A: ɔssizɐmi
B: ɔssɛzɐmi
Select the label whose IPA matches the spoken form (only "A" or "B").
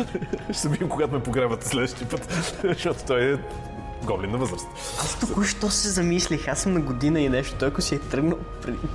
B